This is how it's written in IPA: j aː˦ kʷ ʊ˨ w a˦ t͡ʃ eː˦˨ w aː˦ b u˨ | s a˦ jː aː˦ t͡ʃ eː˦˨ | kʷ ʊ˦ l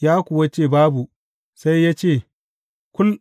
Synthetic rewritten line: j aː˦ kʷ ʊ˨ w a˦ t͡ʃ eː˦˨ b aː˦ b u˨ | s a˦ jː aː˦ t͡ʃ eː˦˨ | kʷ ʊ˦ l